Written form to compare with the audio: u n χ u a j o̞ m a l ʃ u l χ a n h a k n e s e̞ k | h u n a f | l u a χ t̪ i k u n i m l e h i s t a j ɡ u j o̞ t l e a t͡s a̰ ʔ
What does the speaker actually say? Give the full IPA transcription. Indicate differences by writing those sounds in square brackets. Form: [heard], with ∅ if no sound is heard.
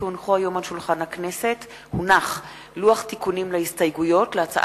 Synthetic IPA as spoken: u n χ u a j o̞ m a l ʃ u l χ a n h a k n e s e̞ [t] | h u n a [χ] | l u a χ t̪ i k u n i m l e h i s t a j ɡ u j o̞ t l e a t͡s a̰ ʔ